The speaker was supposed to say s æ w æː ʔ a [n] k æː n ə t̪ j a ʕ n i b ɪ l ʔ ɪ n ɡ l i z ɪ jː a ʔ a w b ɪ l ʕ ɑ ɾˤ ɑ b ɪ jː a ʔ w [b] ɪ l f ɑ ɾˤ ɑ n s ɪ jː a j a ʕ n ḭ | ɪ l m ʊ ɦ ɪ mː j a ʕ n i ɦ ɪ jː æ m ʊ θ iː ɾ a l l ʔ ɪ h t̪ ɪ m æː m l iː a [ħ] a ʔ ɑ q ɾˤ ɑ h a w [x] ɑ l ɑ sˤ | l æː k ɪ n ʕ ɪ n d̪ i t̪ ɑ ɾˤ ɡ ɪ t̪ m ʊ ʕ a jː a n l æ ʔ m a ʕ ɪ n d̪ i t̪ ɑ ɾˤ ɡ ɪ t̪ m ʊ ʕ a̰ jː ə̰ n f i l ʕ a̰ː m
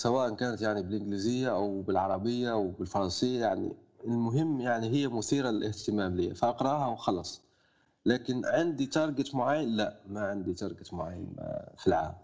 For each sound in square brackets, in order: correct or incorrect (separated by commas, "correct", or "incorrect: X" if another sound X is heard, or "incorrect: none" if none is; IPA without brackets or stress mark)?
correct, correct, incorrect: f, correct